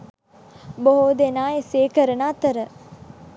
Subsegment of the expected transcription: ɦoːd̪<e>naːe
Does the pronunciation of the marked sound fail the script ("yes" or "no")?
no